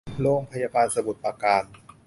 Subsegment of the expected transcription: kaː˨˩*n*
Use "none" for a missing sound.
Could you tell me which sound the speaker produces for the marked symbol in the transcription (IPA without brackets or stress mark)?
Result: n